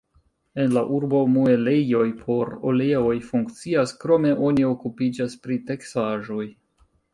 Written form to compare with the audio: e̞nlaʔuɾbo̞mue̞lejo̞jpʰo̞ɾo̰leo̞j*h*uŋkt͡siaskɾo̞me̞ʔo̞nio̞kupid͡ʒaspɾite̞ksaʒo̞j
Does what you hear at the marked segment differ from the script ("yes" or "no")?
yes